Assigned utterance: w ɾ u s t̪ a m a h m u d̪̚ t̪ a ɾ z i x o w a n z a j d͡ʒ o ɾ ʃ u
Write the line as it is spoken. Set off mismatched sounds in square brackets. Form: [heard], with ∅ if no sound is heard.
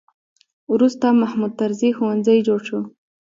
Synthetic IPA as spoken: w ɾ u s t̪ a m a h m u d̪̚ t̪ a ɾ z i x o w a n z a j d͡ʒ o [ɽ] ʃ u